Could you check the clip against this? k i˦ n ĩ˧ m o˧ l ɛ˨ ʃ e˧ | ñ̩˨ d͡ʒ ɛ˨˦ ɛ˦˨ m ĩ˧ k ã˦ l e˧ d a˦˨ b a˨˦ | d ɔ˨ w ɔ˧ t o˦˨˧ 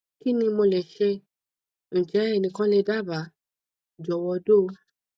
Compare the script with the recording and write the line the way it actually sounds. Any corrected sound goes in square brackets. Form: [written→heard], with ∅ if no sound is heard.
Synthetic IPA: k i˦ n ĩ˧ m o˧ l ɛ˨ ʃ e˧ | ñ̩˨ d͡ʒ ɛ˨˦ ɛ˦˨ [m→n] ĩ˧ k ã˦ l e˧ d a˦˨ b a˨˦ | [d→d͡ʒ] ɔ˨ w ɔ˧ [t→d] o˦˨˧